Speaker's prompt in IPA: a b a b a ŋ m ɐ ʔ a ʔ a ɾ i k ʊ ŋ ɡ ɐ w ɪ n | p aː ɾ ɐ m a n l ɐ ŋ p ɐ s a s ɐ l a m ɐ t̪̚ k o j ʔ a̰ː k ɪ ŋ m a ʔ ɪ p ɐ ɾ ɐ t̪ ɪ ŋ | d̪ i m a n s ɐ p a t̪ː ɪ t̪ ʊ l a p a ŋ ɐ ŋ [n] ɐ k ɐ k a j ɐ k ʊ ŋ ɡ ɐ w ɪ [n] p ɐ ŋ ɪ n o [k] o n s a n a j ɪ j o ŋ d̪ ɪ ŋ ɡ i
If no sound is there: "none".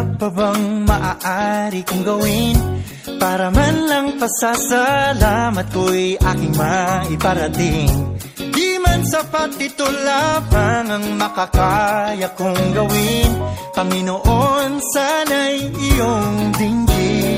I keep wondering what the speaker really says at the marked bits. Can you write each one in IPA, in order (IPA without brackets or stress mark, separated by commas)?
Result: m, n, ʔ